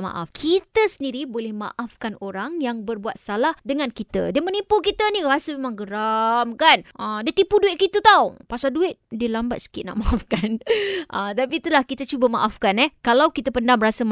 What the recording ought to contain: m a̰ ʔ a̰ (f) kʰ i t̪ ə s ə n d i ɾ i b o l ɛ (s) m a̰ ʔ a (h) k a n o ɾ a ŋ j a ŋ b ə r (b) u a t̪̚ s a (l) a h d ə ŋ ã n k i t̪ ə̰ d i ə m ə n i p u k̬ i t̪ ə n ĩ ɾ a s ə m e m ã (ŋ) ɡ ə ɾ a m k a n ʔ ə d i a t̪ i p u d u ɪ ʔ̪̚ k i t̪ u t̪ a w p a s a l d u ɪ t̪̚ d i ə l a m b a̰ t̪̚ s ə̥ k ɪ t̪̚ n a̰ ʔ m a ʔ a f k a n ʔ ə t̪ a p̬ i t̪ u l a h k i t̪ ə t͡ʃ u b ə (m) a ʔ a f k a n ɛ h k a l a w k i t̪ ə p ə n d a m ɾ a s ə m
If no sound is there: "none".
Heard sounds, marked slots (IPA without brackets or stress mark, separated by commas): f, h, f, b, l, ŋ, m